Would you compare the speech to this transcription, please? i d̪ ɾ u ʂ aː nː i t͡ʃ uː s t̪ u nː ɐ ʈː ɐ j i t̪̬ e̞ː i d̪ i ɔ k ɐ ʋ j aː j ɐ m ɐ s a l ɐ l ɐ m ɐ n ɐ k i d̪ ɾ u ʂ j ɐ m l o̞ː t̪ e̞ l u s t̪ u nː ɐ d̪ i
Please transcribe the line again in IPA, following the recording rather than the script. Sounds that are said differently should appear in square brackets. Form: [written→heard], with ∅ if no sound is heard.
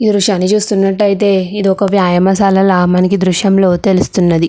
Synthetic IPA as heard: i d̪ ɾ u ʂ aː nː i t͡ʃ uː s t̪ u nː ɐ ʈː ɐ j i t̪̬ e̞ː i d̪ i ɔ k ɐ ʋ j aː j ɐ m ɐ s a l ɐ l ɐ m ɐ n ɐ k i d̪ ɾ u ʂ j ɐ m l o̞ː t̪ e̞ l u s t̪ u nː ɐ d̪ i